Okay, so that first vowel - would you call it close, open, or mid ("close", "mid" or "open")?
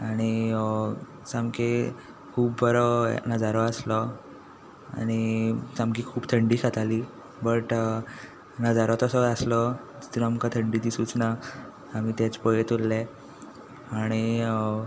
open